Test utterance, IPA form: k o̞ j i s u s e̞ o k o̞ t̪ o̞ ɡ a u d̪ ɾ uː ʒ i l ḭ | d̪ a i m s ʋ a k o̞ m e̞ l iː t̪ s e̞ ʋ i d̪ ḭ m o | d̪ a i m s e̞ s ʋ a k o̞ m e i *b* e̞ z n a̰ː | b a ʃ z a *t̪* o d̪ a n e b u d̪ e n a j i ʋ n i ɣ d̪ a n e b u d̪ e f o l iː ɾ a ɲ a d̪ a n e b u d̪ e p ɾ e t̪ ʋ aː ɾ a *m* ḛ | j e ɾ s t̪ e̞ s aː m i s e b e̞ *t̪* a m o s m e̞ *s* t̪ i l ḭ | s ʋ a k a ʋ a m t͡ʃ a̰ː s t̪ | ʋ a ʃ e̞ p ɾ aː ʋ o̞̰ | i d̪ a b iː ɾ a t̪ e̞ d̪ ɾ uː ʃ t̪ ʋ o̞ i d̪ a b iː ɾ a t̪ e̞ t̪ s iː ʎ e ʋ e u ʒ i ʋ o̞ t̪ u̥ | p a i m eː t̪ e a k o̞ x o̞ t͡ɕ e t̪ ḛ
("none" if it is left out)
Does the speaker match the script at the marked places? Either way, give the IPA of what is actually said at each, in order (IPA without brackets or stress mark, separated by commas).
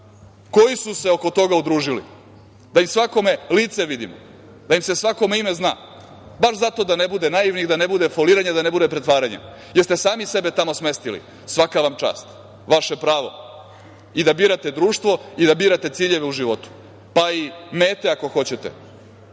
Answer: m, t̪, ɲ, t̪, s